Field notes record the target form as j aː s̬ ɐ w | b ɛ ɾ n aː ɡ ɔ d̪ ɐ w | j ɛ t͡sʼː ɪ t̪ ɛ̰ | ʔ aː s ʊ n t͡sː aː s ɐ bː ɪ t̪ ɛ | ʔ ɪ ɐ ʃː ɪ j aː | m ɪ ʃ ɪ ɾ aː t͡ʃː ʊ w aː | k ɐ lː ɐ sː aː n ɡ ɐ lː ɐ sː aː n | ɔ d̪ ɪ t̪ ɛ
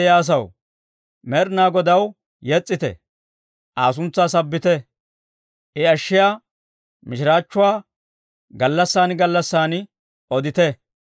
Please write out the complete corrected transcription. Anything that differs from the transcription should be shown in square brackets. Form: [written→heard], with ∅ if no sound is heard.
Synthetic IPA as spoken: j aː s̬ ɐ w | [b→m] ɛ ɾ n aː ɡ ɔ d̪ ɐ w | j ɛ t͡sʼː ɪ t̪ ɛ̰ | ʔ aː s ʊ n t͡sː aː s ɐ bː ɪ t̪ ɛ | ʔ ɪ ɐ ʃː ɪ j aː | m ɪ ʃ ɪ ɾ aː t͡ʃː ʊ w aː | [k→ɡ] ɐ lː ɐ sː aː n ɡ ɐ lː ɐ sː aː n | ɔ d̪ ɪ t̪ ɛ